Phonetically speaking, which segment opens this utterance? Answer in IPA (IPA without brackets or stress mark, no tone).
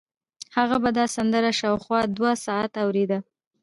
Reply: h